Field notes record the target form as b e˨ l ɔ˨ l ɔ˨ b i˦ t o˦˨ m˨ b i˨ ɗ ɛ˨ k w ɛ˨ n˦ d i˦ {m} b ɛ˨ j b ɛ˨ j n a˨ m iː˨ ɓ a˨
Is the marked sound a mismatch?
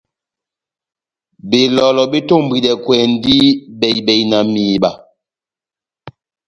yes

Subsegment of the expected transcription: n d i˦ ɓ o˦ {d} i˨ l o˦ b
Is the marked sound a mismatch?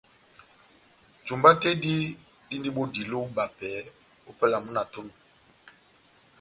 no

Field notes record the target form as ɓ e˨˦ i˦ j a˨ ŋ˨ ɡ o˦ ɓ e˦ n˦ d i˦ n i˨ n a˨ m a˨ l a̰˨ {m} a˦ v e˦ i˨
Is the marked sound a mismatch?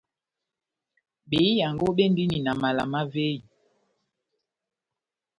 no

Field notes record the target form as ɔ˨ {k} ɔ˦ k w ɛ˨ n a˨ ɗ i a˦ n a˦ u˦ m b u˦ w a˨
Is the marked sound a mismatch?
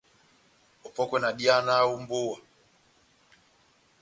yes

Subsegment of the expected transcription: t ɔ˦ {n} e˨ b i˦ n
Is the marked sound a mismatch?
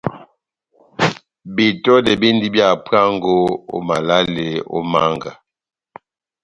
yes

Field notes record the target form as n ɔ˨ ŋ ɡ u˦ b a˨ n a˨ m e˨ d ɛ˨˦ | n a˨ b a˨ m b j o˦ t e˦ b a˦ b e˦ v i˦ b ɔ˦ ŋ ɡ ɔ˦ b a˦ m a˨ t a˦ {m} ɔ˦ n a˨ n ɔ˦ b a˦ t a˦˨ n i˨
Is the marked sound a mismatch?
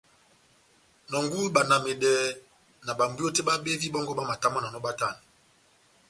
no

